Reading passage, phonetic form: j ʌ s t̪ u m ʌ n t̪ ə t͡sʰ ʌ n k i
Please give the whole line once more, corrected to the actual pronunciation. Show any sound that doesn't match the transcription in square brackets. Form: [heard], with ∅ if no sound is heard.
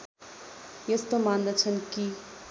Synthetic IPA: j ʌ s t̪ [o] m [a] n [d̪] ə t͡sʰ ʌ n k i